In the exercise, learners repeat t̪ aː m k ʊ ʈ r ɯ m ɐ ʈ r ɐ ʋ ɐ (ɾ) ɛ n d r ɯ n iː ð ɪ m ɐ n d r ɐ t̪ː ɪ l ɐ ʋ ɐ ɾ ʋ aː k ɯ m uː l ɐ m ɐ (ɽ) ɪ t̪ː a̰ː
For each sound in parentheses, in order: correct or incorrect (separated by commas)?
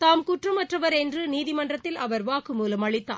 correct, incorrect